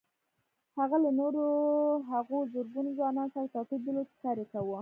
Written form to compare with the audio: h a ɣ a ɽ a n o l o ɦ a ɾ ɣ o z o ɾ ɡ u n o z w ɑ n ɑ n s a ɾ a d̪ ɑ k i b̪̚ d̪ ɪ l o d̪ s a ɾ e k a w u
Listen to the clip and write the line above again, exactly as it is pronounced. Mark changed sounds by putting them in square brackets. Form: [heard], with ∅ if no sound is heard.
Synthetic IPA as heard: h a ɣ a [l] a n o [ɾ] o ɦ a [∅] ɣ o z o ɾ ɡ u n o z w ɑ n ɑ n s a ɾ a [t̪] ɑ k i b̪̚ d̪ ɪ l o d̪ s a ɾ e k a w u